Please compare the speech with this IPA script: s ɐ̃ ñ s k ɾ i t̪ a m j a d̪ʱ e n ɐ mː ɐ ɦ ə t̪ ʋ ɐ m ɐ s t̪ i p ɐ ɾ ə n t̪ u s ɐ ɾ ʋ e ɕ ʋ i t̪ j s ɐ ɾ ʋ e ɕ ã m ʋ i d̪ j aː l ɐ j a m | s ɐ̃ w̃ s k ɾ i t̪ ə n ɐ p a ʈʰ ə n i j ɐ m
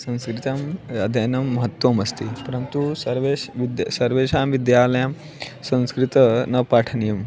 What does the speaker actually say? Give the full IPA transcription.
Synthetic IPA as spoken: s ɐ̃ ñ s k ɾ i t̪ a m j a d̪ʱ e n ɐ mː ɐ ɦ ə t̪ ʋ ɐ m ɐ s t̪ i p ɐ ɾ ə n t̪ u s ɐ ɾ ʋ e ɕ ʋ i d̪ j s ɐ ɾ ʋ e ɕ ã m ʋ i d̪ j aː l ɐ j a m | s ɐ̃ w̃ s k ɾ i t̪ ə n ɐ p a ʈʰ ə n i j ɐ m